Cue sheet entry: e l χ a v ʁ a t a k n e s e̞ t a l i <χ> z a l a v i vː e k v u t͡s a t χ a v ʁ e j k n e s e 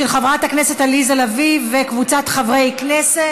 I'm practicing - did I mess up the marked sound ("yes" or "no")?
yes